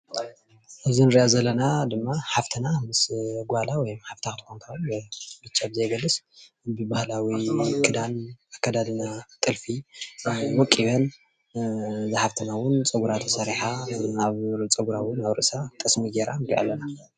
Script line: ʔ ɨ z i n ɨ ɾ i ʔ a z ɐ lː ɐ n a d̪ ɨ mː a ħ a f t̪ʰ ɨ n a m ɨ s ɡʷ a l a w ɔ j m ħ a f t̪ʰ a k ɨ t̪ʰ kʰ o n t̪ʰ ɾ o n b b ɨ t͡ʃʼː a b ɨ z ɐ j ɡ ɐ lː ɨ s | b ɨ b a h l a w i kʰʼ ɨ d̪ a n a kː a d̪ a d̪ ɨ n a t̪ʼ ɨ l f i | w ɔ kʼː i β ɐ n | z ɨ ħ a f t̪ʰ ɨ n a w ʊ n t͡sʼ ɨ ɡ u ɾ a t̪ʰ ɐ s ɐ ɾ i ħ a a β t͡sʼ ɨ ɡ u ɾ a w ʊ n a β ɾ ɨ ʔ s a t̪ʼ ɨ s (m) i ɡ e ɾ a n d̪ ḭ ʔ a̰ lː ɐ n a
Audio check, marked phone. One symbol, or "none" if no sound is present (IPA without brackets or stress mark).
m